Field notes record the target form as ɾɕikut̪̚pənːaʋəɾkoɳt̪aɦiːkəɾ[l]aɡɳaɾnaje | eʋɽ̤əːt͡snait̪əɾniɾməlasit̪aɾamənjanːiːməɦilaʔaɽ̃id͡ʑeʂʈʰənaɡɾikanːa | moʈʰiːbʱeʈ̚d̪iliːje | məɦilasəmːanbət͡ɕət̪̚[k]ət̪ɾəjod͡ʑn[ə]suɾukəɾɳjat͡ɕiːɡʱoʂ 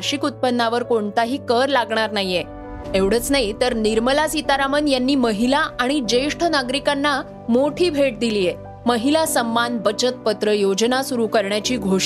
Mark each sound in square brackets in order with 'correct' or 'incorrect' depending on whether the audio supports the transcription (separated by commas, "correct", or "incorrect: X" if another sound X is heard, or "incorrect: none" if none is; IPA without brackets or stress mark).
correct, incorrect: p, incorrect: a